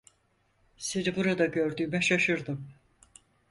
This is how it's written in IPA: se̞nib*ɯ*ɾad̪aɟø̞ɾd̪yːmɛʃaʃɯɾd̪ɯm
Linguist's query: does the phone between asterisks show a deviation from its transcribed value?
yes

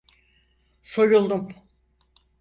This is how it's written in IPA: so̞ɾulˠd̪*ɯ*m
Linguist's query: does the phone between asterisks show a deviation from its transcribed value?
yes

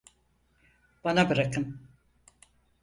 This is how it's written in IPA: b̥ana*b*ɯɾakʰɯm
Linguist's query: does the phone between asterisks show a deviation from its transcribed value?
no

